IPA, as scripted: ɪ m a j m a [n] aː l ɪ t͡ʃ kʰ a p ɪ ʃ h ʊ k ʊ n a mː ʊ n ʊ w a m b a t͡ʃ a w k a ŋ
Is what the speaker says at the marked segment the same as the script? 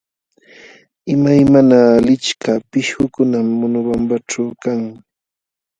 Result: yes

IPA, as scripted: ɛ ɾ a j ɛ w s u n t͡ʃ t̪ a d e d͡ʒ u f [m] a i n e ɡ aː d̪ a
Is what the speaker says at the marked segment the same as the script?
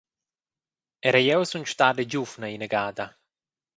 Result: no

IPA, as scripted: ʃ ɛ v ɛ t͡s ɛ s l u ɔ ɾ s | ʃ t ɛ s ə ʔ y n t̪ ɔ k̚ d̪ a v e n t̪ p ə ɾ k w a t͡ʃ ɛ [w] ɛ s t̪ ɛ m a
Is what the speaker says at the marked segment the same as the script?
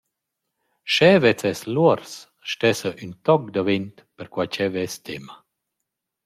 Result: no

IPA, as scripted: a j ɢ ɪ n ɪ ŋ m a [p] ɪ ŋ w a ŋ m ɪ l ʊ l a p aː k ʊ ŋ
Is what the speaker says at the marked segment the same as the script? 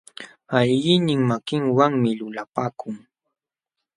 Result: no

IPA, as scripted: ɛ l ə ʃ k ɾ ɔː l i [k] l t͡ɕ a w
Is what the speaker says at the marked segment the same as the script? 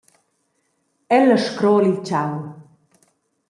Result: no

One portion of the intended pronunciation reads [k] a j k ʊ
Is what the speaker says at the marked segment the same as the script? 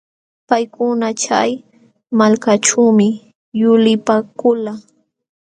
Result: no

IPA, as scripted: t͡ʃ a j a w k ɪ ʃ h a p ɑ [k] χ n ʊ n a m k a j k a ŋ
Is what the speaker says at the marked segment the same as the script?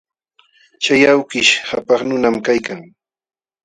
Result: no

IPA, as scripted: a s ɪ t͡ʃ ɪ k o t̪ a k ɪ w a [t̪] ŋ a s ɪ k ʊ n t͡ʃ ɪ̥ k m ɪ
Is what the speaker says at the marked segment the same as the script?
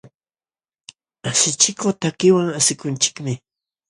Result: no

